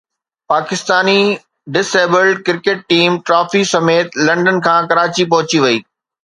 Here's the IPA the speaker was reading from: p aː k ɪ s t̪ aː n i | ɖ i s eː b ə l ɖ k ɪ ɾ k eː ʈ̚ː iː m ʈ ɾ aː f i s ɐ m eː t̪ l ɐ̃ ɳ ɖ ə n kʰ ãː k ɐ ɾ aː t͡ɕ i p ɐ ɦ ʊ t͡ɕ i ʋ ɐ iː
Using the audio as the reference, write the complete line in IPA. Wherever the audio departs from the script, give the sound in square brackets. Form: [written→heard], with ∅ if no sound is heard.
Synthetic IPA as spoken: p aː k ɪ s t̪ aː n i | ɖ [i→ɪ] s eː b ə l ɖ k ɪ ɾ k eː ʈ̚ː iː m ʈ ɾ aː f i s ɐ m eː t̪ l ɐ̃ ɳ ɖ ə n kʰ ãː k ɐ ɾ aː t͡ɕ i p ɐ ɦ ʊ t͡ɕ i ʋ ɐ iː